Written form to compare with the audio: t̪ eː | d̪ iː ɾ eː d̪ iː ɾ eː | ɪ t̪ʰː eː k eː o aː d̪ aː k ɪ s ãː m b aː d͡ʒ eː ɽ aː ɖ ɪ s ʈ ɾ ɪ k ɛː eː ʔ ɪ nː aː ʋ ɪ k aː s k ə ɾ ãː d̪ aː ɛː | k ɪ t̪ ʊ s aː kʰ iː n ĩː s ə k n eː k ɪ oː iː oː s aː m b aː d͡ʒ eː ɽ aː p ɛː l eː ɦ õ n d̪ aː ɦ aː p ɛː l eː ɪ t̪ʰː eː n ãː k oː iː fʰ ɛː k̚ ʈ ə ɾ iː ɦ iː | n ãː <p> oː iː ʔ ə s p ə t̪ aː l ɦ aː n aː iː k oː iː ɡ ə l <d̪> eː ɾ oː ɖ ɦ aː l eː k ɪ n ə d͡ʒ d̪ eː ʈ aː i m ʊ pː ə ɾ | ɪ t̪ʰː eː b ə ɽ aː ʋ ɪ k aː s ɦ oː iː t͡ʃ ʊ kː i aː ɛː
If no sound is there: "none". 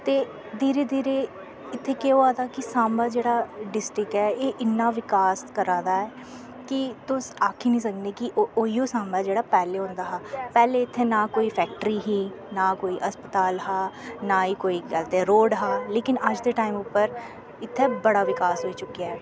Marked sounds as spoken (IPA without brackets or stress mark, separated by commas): k, t̪